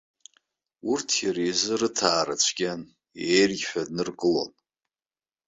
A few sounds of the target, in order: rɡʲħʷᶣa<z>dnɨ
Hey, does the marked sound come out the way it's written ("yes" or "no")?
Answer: no